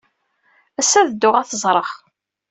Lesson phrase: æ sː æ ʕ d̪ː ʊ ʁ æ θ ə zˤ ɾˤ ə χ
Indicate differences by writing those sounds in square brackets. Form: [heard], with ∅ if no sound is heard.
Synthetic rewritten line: æ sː æ [ð] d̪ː ʊ ʁ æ θ ə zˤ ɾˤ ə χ